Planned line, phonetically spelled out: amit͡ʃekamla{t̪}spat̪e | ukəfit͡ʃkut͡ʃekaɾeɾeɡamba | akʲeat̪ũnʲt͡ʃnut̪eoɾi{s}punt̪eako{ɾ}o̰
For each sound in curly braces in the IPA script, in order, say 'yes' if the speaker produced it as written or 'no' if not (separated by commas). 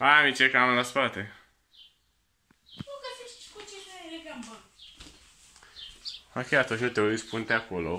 no, yes, no